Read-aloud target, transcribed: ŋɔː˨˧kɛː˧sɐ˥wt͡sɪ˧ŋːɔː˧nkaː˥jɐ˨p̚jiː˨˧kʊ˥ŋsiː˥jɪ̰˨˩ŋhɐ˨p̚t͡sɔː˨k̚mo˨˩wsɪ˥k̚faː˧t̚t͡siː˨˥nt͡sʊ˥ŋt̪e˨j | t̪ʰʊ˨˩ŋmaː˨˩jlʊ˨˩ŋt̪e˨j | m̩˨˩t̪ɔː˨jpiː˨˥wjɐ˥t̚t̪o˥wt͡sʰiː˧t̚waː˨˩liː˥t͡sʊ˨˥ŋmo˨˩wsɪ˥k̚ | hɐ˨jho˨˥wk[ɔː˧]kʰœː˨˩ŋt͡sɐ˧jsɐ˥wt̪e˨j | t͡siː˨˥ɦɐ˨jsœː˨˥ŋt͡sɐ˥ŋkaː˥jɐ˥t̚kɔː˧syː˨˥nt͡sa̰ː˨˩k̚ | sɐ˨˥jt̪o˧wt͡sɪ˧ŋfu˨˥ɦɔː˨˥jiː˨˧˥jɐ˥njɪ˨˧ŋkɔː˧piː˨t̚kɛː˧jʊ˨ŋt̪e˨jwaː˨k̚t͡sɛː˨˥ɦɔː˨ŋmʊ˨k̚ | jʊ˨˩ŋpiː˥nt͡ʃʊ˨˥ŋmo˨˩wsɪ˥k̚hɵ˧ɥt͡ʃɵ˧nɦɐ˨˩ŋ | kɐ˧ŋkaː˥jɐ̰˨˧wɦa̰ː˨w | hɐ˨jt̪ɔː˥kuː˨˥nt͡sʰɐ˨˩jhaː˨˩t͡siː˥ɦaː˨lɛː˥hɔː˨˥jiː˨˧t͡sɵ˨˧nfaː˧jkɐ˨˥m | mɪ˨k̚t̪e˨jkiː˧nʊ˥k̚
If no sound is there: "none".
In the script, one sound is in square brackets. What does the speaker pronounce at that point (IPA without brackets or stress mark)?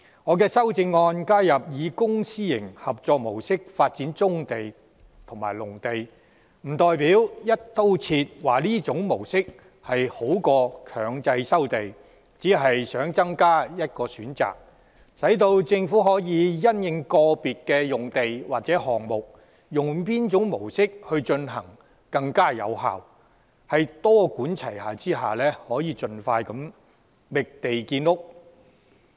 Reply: ɔː˧